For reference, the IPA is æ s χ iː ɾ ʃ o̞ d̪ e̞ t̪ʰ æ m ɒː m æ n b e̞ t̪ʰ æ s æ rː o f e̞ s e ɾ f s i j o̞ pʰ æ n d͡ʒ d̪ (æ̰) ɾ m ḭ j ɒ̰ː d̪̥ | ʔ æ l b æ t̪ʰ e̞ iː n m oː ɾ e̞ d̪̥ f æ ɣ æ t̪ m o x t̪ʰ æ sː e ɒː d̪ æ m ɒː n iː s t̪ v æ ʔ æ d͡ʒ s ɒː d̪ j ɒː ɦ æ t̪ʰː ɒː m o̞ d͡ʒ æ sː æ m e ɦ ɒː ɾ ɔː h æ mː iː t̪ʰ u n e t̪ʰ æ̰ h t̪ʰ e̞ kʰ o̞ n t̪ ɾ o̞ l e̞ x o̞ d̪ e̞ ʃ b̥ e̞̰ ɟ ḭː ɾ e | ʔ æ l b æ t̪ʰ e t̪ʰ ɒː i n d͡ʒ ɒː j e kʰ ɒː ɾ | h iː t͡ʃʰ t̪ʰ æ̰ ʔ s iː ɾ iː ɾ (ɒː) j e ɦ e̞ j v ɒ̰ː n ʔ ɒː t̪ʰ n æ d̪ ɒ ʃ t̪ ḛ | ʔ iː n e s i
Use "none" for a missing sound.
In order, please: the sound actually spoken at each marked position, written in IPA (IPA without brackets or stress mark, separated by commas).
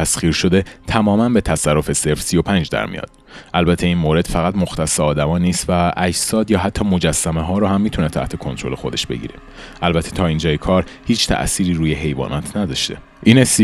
æ̰, uː